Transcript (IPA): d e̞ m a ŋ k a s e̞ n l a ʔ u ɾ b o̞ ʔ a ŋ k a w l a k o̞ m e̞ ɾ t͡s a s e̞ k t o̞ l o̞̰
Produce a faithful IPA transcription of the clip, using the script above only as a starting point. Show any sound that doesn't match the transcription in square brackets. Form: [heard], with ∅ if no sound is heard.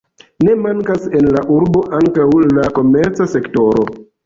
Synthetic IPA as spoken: [n] e̞ m a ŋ k a s e̞ n l a ʔ u ɾ b o̞ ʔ a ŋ k a w l a k o̞ m e̞ ɾ t͡s a s e̞ k t o̞ [ɾ] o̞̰